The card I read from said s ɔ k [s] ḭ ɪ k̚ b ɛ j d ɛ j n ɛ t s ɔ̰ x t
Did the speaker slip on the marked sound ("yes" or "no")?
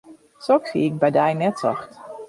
no